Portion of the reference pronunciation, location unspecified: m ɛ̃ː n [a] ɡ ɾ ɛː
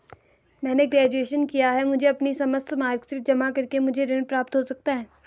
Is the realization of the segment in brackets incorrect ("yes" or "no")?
yes